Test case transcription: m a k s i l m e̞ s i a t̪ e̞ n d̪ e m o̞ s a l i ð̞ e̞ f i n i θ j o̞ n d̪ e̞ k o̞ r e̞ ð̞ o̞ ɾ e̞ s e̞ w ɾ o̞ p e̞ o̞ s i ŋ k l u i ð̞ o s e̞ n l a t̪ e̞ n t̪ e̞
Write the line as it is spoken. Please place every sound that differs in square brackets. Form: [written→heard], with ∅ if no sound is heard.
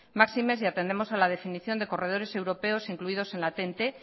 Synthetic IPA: m a k s i [l→∅] m e̞ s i a t̪ e̞ n d̪ e m o̞ s a l [i→a] ð̞ e̞ f i n i θ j o̞ n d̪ e̞ k o̞ r e̞ ð̞ o̞ ɾ e̞ s e̞ w ɾ o̞ p e̞ o̞ s i ŋ k l u i ð̞ o s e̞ n l a t̪ e̞ n t̪ e̞